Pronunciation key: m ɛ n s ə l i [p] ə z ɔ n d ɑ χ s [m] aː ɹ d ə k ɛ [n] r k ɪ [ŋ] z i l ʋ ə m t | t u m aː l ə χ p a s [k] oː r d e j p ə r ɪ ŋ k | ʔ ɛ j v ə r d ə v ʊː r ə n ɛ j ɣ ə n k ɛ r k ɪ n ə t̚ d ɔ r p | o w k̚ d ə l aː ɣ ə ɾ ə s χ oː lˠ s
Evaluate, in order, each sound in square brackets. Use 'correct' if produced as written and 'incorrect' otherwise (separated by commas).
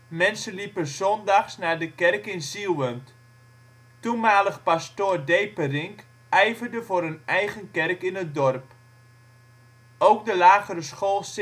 correct, incorrect, incorrect, incorrect, incorrect